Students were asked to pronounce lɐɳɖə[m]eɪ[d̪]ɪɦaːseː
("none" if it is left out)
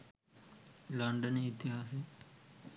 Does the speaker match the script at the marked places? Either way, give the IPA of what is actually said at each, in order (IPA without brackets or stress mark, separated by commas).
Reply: n, t̪